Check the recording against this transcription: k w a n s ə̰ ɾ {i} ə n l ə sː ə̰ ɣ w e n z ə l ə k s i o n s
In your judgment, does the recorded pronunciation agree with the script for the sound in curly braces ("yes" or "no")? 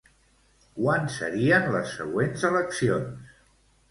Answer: yes